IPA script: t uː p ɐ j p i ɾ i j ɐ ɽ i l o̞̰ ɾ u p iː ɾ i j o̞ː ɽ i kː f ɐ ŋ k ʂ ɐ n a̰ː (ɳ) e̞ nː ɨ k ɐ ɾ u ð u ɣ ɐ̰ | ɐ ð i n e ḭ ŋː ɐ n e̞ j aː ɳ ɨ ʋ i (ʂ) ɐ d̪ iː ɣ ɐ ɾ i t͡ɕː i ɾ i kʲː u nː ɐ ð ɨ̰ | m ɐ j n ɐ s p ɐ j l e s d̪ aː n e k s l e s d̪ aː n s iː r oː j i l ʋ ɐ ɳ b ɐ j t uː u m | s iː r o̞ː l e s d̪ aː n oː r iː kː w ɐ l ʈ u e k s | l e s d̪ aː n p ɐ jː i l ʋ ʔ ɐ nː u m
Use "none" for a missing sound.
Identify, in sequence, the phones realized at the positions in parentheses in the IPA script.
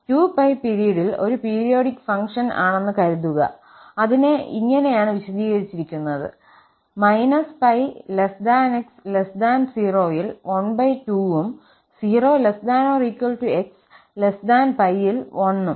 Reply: ɳ, ɕ

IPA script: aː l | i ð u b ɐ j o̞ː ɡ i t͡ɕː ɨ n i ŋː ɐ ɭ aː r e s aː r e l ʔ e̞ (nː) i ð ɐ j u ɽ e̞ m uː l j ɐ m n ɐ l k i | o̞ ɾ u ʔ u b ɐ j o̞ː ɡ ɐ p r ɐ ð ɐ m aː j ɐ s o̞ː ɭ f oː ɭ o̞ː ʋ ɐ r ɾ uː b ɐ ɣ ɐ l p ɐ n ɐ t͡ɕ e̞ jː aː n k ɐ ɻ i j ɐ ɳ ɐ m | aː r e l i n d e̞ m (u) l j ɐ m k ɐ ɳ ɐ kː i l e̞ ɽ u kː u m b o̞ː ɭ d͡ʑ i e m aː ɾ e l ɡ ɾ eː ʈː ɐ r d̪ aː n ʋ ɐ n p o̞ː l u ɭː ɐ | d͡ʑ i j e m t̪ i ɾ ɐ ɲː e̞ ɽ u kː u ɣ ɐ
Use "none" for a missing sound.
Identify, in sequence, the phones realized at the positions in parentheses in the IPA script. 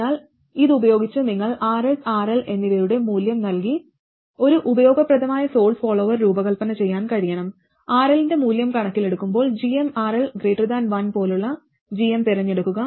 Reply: nː, uː

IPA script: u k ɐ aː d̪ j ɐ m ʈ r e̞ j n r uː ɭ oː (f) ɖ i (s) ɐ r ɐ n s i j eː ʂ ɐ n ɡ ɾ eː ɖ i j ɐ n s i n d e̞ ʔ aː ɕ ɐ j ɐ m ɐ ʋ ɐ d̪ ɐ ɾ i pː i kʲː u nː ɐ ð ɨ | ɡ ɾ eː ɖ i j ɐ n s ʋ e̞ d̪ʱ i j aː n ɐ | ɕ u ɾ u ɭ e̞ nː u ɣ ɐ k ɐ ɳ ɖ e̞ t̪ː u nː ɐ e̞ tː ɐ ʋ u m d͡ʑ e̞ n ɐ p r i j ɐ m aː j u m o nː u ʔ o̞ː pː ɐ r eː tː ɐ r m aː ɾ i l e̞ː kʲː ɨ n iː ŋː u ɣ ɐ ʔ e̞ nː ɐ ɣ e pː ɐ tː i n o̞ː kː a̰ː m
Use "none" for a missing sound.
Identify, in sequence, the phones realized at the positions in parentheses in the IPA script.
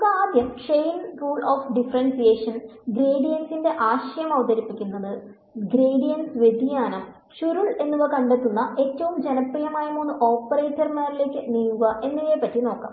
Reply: f, f

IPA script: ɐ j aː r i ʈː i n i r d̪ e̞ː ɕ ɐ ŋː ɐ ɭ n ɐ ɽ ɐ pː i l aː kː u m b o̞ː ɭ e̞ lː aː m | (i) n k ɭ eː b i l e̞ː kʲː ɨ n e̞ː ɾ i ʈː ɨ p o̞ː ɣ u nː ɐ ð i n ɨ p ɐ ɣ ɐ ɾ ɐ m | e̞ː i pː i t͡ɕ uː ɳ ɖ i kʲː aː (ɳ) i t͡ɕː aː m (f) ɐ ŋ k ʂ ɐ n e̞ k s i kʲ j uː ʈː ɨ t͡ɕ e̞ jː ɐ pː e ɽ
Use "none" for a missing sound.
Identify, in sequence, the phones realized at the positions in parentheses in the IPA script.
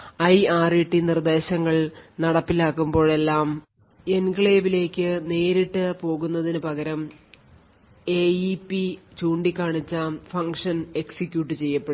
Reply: e, ɳ, f

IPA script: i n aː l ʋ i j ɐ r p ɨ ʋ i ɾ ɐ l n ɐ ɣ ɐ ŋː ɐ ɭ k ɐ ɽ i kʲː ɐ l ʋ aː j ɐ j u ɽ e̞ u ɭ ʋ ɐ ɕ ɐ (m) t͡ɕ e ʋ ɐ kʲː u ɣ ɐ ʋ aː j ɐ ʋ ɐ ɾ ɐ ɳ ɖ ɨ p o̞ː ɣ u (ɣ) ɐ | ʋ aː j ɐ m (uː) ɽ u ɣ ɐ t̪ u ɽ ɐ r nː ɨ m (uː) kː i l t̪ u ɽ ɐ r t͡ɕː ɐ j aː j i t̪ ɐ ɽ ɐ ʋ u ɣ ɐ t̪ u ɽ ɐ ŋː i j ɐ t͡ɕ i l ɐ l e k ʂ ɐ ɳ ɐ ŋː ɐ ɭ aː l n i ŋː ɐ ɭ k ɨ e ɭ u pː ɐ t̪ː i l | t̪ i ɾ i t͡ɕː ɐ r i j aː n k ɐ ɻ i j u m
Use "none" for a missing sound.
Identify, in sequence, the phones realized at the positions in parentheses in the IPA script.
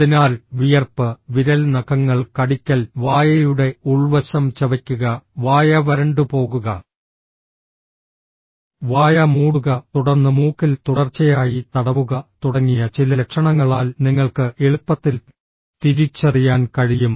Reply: m, ɣ, uː, uː

